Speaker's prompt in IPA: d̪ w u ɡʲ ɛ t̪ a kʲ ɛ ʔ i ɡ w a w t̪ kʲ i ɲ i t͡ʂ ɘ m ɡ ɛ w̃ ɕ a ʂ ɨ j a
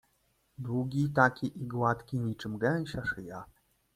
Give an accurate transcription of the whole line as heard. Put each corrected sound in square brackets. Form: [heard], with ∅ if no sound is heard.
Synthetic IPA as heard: d̪ w u ɡʲ [i] t̪ a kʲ [i] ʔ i ɡ w a [∅] t̪ kʲ i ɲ i t͡ʂ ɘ m ɡ ɛ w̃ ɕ a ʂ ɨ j a